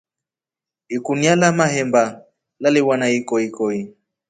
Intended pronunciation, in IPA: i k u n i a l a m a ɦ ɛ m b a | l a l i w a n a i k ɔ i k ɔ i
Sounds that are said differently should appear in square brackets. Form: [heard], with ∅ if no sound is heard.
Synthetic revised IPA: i k u n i a l a m a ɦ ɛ m b a | l a l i w a n a i k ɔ i k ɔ i